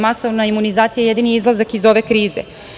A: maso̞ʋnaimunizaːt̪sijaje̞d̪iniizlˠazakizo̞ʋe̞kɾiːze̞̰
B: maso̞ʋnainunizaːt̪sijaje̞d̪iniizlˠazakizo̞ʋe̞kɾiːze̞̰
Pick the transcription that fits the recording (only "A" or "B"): A